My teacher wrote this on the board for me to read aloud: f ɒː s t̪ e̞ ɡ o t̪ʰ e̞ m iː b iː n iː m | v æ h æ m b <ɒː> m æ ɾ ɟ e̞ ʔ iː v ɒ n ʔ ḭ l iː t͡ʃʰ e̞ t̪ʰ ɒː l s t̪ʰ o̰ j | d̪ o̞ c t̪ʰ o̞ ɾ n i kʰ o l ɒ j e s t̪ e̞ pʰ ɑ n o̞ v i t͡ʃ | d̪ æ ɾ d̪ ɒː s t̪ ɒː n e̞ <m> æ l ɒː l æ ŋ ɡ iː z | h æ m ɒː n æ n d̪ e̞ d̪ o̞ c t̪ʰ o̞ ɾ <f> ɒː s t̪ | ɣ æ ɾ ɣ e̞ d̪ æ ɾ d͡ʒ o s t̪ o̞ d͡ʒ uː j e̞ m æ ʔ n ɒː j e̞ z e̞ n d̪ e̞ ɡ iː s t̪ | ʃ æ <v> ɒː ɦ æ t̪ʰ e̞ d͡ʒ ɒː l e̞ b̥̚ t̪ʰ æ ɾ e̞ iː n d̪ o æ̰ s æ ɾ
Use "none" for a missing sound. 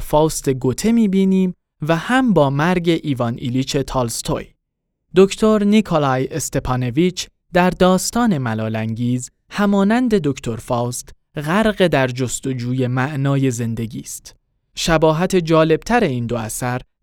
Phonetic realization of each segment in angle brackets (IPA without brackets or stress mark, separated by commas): ɒː, m, f, b